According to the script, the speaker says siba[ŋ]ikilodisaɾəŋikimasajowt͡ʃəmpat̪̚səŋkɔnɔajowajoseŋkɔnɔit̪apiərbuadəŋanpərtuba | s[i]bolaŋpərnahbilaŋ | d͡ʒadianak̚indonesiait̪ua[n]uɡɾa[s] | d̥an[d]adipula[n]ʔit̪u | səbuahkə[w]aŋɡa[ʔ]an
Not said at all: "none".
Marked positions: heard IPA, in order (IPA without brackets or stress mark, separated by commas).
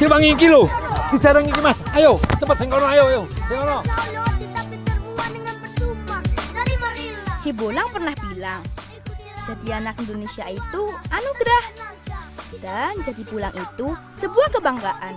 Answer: ŋ, i, n, h, d͡ʒ, ŋ, b, ʔ